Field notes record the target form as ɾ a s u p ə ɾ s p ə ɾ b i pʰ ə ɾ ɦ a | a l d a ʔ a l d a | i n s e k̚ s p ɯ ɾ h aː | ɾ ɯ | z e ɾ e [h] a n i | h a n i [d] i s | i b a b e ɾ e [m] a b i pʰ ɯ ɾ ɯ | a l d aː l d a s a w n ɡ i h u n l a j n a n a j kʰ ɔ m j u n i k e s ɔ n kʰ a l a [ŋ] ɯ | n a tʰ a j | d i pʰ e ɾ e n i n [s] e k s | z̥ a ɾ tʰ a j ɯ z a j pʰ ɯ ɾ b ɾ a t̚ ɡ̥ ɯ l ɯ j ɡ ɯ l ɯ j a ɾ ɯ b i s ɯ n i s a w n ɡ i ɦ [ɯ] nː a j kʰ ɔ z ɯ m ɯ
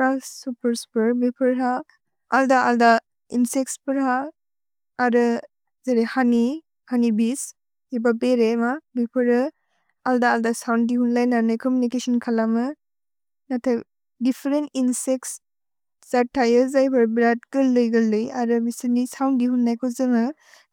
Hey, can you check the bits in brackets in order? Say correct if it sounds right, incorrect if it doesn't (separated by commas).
correct, incorrect, correct, incorrect, correct, incorrect